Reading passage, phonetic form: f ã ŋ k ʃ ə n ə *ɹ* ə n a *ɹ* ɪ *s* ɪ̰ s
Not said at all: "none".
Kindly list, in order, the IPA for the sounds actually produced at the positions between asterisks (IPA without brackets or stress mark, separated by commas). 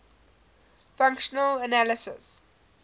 l, l, s